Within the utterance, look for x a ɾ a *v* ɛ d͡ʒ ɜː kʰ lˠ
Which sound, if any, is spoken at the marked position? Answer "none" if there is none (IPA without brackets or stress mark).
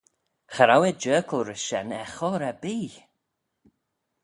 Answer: w